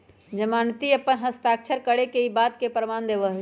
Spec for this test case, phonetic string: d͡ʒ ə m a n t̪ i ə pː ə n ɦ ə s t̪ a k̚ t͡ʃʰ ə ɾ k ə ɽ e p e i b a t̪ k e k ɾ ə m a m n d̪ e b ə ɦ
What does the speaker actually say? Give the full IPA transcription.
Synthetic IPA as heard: d͡ʒ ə m a n t̪ i ə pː ə n ɦ ə s t̪ a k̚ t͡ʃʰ ə ɾ k ə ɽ e k e i b a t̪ k e p ɾ ə m a n d̪ e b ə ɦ

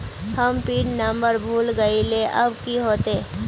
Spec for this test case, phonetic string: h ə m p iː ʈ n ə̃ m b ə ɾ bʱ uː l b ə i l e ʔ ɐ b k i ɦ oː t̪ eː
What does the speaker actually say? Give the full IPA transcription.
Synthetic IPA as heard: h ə m p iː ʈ n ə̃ m b ə ɾ bʱ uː l ɡ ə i l e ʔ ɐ b k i ɦ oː t̪ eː

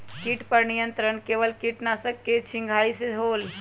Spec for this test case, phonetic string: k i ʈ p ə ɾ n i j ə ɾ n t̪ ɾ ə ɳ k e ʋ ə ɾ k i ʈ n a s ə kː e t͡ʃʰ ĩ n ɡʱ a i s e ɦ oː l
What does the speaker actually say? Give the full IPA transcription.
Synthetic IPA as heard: k i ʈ p ə ɾ n i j ə n t̪ ɾ ə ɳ k e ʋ ə l k i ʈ n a s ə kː e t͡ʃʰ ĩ ŋ ɡʱ a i s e ɦ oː l

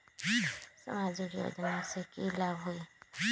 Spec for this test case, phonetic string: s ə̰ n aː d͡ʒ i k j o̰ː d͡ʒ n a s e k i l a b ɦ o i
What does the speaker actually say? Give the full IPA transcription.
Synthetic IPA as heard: s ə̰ m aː d͡ʒ i k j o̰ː d͡ʒ n a s e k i l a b ɦ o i

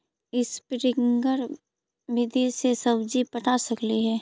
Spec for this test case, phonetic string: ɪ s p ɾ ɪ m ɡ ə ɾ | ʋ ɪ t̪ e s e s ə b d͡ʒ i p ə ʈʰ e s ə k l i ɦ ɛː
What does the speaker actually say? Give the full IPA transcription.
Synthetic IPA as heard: ɪ s p ɾ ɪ ŋ ɡ ə ɾ | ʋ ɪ d̪ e s e s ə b d͡ʒ i p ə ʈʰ a s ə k l i ɦ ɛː

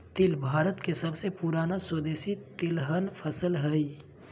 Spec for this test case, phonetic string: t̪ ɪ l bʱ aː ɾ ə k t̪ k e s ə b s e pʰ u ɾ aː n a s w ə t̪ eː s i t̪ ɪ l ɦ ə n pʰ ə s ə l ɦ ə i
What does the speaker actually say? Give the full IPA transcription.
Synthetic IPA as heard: t̪ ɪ l bʱ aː ɾ ə t̪ k e s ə b s e p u ɾ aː n a s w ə d̪ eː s i t̪ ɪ l ɦ ə n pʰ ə s ə l ɦ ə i

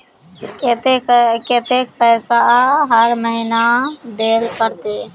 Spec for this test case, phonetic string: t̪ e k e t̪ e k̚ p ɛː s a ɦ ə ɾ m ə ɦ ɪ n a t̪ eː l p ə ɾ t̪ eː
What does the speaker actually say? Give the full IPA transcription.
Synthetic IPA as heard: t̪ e k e t̪ e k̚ p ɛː s a ɦ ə ɾ m ə ɦ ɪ n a d̪ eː l p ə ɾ t̪ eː

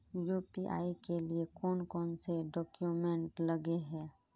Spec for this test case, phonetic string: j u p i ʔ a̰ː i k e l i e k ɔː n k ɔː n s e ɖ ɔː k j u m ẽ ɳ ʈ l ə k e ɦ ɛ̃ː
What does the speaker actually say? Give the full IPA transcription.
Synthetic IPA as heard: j u p i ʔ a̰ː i k e l i e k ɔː n k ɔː n s e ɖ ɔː k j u m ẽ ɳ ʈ l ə ɡ e ɦ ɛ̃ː

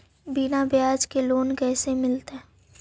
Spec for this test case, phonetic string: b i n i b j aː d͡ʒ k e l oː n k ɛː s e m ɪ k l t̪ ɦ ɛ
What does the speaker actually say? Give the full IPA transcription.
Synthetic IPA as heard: b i n a b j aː d͡ʒ k e l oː n k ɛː s e m ɪ l t̪ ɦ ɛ

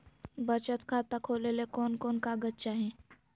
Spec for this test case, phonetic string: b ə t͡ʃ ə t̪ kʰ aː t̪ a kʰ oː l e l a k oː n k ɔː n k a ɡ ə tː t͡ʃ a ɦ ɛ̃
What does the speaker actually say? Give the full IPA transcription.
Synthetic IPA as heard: b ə t͡ʃ ə t̪ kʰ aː t̪ a kʰ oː l e l e k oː n k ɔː n k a ɡ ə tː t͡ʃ a ɦ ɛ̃

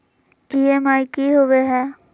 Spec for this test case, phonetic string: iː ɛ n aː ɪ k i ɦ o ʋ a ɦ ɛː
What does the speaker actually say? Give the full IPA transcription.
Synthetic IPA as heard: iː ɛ m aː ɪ k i ɦ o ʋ e ɦ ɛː

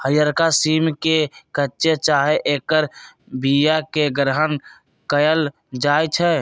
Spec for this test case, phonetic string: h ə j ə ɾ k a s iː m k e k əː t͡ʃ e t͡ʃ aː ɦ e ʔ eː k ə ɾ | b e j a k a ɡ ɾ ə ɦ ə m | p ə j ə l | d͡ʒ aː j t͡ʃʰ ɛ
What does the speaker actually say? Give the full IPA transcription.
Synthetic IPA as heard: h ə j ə ɾ k a s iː m k e k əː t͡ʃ e t͡ʃ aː ɦ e ʔ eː k ə ɾ | b i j a k e ɡ ɾ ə ɦ ə n | k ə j ə l | d͡ʒ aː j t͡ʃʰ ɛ

